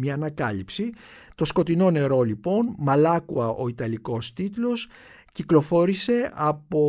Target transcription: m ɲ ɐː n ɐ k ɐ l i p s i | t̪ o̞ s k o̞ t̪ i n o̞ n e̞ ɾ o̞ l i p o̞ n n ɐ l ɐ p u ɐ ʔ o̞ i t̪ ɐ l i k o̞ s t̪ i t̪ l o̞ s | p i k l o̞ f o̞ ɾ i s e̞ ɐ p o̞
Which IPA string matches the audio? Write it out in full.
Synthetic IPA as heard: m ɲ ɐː n ɐ k ɐ l i p s i | t̪ o̞ s k o̞ t̪ i n o̞ n e̞ ɾ o̞ l i p o̞ n m ɐ l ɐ k u ɐ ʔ o̞ i t̪ ɐ l i k o̞ s t̪ i t̪ l o̞ s | c i k l o̞ f o̞ ɾ i s e̞ ɐ p o̞